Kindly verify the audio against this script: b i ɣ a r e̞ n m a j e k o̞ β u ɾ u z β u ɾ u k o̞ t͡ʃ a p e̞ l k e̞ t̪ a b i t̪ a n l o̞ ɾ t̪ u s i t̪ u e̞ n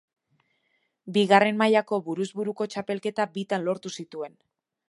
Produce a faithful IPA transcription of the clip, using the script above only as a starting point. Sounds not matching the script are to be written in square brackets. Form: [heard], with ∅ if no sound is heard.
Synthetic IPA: b i ɣ a r e̞ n m a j [a] k o̞ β u ɾ u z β u ɾ u k o̞ t͡ʃ a p e̞ l k e̞ t̪ a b i t̪ a n l o̞ ɾ t̪ u s i t̪ u e̞ n